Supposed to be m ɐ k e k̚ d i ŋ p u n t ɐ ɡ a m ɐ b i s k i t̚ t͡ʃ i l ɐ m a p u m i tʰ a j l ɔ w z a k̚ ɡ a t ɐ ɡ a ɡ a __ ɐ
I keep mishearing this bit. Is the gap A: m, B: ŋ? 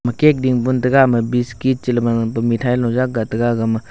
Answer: A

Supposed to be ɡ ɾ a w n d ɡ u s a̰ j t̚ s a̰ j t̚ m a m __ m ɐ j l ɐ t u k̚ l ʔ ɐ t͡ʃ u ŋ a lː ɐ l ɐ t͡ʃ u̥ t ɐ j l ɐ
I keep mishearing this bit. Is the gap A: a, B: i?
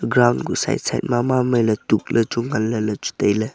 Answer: A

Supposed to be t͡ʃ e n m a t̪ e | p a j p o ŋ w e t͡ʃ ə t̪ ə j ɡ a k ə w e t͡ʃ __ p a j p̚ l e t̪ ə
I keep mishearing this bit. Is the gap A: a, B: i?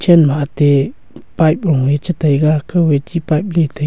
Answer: B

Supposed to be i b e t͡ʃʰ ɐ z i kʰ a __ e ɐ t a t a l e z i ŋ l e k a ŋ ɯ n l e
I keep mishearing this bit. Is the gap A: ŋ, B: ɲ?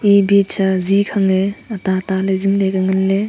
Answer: A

